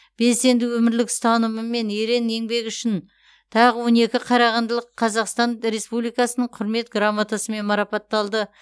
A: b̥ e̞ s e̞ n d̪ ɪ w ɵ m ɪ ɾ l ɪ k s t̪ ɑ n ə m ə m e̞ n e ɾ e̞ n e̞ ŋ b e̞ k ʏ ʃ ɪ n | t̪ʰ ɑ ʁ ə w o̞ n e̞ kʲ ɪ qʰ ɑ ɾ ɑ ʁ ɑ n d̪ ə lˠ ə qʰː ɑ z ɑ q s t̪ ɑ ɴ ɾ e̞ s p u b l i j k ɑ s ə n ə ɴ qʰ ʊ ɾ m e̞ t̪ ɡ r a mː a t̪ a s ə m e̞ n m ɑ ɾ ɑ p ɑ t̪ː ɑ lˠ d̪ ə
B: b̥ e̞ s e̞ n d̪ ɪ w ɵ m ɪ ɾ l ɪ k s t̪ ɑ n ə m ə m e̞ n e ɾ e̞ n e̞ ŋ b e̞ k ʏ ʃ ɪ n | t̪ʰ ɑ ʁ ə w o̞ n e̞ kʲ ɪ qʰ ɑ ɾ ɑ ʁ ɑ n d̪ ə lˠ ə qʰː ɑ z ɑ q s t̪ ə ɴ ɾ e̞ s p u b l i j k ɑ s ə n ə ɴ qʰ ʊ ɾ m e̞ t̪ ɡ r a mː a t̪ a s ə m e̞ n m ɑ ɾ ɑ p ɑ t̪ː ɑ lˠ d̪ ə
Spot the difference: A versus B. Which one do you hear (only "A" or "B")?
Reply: A